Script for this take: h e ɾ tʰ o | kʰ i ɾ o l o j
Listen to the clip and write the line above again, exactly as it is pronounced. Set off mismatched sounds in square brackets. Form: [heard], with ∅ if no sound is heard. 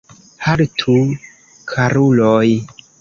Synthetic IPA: h [a] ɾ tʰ [u] | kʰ [a] ɾ [u] l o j